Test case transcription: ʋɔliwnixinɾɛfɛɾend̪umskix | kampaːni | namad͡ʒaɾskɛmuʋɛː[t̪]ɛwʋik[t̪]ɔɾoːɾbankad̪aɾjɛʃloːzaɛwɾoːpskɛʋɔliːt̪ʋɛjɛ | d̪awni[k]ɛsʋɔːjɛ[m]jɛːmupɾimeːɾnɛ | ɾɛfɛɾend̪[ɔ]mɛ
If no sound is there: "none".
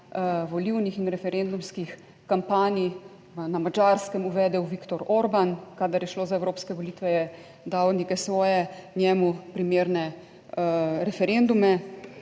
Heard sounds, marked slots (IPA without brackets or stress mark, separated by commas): d̪, t̪, k, n, u